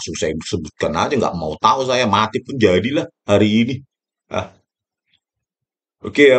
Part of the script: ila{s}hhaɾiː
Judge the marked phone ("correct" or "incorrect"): incorrect